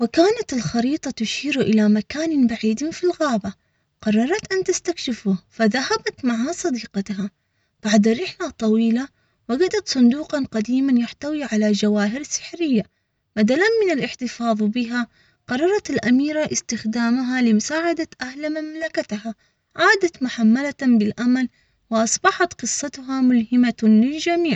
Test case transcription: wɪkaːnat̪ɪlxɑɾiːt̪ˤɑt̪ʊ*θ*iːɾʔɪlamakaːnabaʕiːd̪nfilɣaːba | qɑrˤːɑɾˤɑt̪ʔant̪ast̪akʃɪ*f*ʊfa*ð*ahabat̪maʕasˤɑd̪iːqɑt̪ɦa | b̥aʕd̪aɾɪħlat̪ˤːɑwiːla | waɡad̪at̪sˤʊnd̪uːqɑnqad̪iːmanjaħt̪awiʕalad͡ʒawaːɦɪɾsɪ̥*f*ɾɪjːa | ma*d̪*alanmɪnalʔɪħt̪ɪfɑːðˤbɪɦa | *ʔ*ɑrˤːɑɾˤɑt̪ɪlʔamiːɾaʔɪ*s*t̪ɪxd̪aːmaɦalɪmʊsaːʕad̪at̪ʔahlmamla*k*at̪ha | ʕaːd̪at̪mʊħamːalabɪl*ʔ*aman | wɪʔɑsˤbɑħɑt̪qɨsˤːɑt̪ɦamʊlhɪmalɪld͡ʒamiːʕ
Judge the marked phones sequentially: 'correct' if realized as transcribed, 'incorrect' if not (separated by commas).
incorrect, correct, correct, incorrect, correct, incorrect, correct, correct, correct